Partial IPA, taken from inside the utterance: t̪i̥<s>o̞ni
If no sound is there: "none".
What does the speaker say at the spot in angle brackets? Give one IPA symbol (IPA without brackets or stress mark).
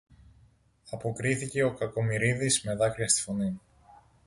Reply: f